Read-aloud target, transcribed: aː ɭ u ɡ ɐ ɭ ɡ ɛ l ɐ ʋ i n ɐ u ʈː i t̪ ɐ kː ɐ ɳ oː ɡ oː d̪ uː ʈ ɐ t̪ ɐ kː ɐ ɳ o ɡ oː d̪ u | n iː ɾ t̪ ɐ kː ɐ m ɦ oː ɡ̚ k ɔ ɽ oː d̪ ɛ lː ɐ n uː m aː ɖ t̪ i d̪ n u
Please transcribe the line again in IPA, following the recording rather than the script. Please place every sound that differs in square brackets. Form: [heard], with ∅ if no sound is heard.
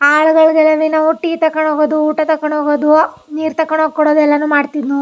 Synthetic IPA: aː ɭ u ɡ ɐ ɭ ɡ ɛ l ɐ ʋ i n ɐ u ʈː i t̪ ɐ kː ɐ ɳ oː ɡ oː d̪ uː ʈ ɐ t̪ ɐ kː ɐ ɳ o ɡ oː d̪ u | n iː ɾ t̪ ɐ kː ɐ [ɳ] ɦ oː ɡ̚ k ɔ ɽ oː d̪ ɛ lː ɐ n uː m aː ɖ t̪ i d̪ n u